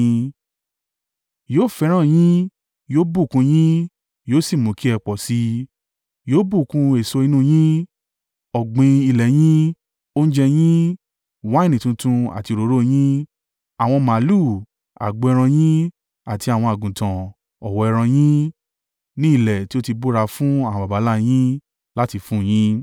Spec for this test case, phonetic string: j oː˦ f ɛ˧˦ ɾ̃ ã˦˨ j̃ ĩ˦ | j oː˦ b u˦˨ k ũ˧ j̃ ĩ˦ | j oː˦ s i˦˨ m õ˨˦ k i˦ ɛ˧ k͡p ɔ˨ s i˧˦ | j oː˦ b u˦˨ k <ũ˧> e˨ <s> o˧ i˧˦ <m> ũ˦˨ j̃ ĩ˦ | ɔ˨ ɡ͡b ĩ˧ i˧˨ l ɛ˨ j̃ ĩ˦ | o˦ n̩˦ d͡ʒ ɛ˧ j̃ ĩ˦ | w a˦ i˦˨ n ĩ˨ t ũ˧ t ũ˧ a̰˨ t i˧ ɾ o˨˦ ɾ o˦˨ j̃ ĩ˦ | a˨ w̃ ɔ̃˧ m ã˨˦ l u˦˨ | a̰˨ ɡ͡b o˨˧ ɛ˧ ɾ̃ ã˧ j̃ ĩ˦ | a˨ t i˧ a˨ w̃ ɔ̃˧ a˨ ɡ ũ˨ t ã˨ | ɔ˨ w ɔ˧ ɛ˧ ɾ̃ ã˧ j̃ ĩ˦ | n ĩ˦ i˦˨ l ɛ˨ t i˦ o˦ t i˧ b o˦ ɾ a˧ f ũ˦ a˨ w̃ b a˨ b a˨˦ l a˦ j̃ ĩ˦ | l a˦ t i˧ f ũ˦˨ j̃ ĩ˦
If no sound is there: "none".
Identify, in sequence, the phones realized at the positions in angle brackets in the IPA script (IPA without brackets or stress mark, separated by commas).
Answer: ũ˧, s, n